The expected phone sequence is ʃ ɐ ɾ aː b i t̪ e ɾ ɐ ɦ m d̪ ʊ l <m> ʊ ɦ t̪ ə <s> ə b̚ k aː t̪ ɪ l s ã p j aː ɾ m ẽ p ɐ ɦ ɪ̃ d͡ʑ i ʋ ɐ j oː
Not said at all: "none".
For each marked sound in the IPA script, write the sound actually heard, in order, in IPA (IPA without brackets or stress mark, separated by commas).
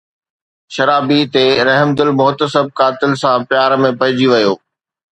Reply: m, s